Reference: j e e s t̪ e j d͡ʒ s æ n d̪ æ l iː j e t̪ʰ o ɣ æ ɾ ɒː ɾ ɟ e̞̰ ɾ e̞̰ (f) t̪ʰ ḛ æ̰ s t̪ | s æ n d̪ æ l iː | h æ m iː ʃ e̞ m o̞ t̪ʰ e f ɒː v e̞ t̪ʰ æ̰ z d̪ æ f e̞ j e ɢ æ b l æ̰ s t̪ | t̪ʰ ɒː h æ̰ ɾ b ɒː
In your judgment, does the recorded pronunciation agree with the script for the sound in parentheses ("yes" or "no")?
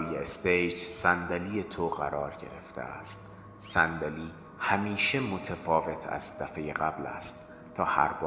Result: yes